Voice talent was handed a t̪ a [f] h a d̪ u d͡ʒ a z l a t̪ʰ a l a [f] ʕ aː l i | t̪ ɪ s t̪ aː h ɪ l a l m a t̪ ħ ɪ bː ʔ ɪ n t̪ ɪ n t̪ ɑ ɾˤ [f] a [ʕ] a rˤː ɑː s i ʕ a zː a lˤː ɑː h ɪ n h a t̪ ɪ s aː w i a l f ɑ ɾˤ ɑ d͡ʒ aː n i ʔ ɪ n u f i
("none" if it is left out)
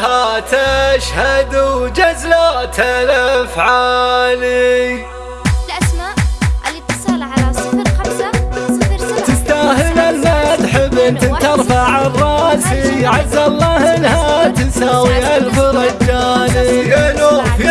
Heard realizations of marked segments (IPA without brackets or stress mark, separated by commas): ʃ, f, f, ʕ